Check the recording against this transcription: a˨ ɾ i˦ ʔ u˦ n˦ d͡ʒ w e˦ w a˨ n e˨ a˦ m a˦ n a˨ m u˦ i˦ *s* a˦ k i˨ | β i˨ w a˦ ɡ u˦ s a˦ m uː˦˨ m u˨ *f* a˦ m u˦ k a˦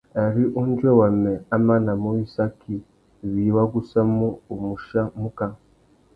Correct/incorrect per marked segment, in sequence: correct, incorrect: ʃ

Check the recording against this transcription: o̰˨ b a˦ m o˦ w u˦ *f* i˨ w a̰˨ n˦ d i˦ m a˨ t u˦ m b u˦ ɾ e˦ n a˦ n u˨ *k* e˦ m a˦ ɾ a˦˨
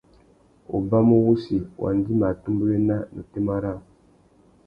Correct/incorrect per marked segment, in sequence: incorrect: s, incorrect: t

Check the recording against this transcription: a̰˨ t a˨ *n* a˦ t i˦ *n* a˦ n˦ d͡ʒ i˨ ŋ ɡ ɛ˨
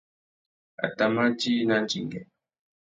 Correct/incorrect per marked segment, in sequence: incorrect: m, correct

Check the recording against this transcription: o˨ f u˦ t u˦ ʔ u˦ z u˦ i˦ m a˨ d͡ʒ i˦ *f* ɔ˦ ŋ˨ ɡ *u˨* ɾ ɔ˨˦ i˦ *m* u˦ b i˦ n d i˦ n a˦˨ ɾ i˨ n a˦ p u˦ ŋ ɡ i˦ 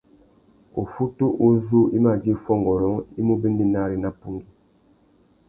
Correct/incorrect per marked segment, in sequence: correct, incorrect: ɔ˨, correct

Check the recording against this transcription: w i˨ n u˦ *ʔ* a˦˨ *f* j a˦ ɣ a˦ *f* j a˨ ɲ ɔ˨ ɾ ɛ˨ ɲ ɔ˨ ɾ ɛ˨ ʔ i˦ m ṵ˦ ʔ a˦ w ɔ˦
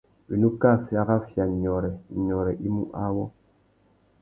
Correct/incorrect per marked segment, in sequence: incorrect: k, correct, correct

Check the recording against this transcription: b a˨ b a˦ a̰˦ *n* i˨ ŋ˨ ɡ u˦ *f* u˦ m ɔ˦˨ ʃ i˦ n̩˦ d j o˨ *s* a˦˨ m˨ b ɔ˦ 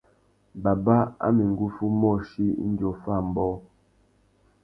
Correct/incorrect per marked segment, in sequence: incorrect: m, correct, incorrect: f

